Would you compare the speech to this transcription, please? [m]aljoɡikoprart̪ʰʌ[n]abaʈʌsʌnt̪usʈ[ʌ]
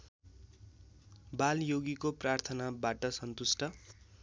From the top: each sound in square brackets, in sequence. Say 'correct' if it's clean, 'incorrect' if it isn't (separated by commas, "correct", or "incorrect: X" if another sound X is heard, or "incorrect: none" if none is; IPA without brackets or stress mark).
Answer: incorrect: b, correct, correct